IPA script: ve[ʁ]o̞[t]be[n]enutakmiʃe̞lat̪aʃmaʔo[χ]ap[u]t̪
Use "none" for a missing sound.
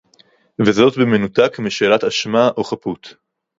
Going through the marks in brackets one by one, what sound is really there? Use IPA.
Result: z, t, m, χ, u

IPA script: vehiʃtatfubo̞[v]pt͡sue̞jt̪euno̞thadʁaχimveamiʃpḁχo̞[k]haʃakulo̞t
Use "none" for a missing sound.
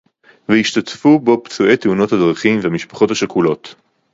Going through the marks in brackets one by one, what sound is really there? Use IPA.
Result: none, t

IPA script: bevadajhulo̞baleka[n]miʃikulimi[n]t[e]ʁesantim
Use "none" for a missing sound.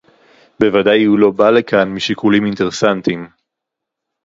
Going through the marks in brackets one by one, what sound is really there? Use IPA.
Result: n, n, e

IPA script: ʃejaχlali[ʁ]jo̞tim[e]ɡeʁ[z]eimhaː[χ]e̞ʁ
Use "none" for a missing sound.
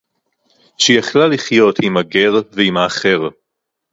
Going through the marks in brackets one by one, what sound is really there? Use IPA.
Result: χ, a, v, χ

